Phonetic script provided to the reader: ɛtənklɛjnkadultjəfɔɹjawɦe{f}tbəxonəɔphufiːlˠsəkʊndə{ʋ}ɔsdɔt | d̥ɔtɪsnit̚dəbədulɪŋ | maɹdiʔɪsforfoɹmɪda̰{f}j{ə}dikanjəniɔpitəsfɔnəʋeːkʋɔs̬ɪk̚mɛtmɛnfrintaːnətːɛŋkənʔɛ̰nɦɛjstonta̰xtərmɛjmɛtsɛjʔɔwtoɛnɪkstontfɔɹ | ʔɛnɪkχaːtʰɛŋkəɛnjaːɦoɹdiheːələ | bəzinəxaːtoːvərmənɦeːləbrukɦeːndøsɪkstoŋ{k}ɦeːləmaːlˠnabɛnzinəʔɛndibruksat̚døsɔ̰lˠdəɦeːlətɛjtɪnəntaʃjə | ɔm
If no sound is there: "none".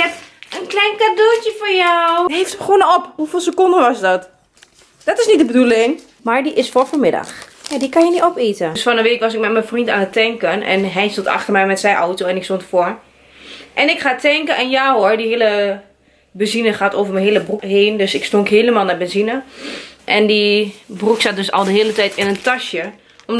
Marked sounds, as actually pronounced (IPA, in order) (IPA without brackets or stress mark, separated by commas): f, ʋ, x, a, k